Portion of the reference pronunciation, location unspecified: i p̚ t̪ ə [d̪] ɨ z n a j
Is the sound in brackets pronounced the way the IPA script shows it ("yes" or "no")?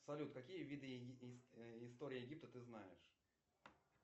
no